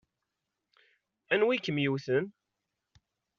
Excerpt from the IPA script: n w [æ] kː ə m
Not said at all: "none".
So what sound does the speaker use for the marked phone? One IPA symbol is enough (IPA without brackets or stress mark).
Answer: i